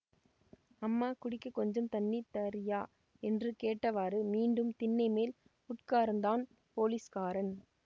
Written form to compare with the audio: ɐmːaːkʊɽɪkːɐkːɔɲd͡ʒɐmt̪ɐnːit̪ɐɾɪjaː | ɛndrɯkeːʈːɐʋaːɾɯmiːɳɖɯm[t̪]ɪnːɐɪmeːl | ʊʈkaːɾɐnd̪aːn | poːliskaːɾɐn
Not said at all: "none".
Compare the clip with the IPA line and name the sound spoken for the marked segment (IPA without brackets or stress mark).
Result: t̪